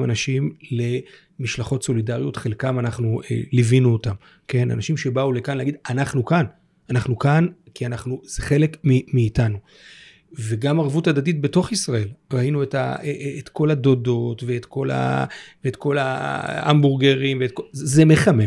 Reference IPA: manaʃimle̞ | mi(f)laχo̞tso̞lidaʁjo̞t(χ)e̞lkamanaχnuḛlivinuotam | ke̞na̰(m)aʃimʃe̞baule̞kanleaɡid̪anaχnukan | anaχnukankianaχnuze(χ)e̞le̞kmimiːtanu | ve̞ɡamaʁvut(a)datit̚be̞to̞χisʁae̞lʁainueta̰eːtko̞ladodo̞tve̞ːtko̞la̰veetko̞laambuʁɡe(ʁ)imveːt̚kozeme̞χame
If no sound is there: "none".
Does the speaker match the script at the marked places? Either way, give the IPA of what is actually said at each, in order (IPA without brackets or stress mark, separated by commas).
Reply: ʃ, χ, n, χ, a, ʁ